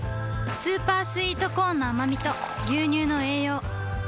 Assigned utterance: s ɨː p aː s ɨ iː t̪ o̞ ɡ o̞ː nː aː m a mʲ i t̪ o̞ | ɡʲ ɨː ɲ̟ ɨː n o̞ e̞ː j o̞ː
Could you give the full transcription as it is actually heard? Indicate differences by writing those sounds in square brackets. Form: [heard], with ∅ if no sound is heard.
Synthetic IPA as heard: s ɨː p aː s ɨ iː t̪ o̞ [k] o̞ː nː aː m a mʲ i t̪ o̞ | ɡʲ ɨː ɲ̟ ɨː n o̞ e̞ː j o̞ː